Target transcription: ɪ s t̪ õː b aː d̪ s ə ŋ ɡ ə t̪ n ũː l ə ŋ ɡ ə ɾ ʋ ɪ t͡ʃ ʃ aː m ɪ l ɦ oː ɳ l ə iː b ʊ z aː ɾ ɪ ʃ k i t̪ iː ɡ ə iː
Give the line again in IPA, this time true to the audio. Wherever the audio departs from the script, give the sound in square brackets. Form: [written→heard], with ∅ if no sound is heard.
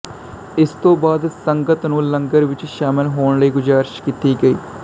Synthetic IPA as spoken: ɪ s t̪ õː b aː d̪ s ə ŋ ɡ ə t̪ n ũː l ə ŋ ɡ ə ɾ ʋ ɪ t͡ʃ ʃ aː m ɪ l ɦ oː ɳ l ə iː [b→ɡ] ʊ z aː ɾ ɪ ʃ k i t̪ iː ɡ ə iː